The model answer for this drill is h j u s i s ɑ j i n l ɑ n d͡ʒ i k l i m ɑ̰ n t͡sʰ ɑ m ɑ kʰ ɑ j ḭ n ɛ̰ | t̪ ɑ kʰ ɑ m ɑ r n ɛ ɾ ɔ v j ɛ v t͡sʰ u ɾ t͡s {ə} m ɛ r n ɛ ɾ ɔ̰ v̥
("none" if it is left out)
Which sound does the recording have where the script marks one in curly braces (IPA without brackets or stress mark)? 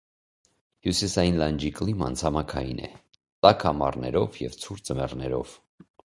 ə